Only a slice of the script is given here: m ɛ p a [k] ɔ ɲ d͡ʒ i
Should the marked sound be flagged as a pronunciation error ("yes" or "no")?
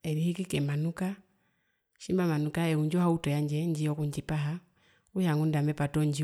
yes